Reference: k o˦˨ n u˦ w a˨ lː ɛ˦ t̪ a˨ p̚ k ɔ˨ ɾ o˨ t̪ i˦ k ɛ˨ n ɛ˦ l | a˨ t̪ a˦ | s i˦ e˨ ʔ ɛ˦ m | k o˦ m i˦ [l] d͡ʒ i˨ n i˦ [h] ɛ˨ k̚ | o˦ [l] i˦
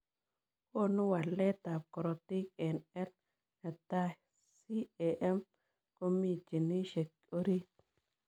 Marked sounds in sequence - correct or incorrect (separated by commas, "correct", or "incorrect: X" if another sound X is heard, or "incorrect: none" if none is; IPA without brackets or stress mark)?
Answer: incorrect: none, incorrect: ʃ, incorrect: ɾ